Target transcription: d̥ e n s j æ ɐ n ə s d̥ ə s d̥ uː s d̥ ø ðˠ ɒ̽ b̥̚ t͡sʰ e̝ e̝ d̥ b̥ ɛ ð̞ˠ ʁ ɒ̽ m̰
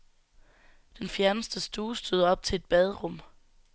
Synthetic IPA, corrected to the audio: d̥ e n f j æ ɐ n ə s d̥ ə s d̥ uː s d̥ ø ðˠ ɒ̽ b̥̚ t͡sʰ e̝ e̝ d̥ b̥ ɛ ð̞ˠ ʁ ɔ̽ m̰